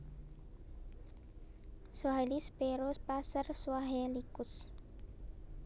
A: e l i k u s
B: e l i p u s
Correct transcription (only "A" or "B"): A